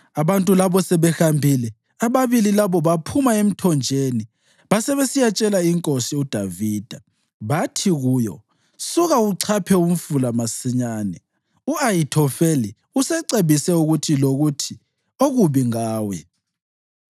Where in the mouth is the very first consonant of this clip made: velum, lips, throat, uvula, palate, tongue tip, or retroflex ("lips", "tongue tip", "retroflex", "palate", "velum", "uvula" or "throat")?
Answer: lips